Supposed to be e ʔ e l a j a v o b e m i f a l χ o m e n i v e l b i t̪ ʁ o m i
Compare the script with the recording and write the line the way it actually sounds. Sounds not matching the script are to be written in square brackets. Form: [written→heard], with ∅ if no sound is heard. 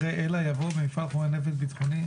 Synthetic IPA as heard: e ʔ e l a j a v o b e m i f a l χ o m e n [i→e] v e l b i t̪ [ʁ→χ] o [m→n] i